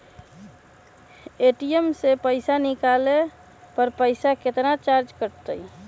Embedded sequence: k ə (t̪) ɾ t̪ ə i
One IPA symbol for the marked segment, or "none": none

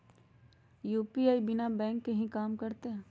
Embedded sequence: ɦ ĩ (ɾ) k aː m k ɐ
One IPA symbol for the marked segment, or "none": none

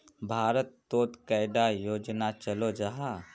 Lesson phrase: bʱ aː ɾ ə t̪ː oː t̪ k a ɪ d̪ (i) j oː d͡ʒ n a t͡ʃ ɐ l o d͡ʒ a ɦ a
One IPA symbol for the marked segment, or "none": a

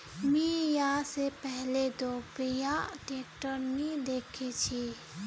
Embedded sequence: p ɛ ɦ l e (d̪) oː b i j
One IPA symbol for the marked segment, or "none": d̪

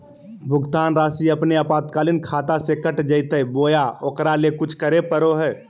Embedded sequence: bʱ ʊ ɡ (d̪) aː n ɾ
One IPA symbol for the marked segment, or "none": t̪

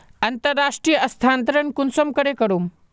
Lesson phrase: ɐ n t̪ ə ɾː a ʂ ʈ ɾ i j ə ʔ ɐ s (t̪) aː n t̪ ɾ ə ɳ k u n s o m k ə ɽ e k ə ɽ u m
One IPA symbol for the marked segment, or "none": t̪ʰ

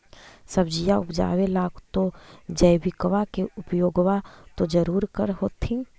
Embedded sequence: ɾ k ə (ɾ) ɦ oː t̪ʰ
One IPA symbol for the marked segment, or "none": ɾ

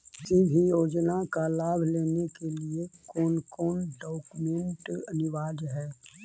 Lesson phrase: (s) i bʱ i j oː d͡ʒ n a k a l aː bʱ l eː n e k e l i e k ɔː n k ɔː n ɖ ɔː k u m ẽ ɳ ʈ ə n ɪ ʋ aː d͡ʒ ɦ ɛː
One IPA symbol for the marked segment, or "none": s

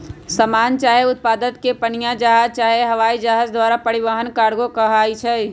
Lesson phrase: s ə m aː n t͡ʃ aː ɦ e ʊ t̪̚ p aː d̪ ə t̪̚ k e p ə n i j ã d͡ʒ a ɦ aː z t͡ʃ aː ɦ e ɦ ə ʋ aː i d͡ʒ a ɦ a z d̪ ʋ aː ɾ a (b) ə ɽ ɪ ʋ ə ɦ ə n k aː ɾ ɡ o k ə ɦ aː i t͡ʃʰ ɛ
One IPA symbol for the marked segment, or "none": p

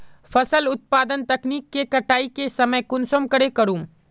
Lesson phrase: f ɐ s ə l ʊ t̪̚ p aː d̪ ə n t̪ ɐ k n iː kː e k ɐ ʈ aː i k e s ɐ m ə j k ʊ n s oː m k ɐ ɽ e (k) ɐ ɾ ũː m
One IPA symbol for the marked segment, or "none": k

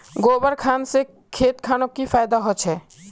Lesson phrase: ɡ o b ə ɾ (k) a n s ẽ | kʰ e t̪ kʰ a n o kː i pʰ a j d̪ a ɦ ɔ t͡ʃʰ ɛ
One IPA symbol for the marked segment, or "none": kʰ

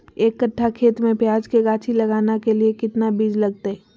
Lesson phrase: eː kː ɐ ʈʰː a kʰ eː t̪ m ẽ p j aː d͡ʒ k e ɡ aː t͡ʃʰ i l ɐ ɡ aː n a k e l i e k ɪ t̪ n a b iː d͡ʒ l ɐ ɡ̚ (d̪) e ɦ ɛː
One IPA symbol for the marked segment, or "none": t̪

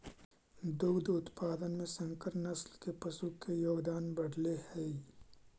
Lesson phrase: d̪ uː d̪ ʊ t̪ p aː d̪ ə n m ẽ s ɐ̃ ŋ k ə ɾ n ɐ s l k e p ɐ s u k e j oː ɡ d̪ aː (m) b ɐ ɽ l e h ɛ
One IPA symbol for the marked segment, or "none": n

